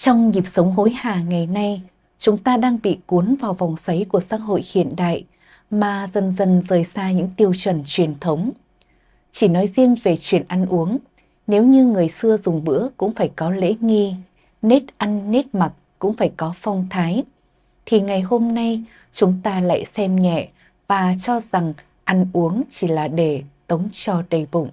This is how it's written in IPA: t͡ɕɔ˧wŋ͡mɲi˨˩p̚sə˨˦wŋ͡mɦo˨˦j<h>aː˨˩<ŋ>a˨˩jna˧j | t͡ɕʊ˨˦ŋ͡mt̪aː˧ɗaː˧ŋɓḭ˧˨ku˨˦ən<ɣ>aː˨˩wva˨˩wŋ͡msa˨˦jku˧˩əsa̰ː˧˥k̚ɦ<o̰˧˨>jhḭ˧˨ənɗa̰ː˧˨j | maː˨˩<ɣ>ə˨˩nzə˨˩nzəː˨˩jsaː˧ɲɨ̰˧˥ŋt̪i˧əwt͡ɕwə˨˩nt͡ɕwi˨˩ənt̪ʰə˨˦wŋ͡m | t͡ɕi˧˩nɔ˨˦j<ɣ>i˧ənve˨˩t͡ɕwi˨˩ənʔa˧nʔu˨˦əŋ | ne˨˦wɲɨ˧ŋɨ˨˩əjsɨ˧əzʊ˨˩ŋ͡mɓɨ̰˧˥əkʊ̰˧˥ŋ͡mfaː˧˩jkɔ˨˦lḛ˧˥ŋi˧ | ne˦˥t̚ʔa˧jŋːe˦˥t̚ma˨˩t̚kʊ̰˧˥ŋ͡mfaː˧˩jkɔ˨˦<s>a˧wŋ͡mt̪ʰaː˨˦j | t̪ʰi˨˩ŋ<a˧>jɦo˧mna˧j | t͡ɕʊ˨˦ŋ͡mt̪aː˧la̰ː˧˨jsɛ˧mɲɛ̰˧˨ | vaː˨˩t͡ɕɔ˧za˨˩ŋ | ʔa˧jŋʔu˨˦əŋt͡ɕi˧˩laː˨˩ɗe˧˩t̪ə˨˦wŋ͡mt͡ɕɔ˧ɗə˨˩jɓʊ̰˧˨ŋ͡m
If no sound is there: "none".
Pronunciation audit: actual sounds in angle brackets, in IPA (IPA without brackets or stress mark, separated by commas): h, ŋ, v, o̰˧˨, z, z, f, a˨˩